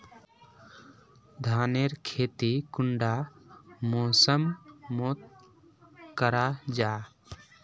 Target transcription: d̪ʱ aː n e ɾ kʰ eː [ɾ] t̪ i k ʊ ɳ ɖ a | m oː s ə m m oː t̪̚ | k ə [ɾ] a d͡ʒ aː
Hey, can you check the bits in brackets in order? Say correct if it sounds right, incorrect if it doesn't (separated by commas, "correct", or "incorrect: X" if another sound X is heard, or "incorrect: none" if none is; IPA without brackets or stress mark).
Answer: incorrect: none, correct